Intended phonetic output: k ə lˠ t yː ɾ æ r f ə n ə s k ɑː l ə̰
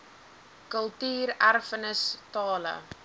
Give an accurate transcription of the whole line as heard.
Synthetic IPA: k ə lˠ t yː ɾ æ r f ə n ə s t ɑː l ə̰